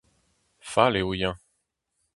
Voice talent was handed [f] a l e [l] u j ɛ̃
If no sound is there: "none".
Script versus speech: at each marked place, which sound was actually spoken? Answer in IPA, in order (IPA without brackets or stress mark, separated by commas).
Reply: f, none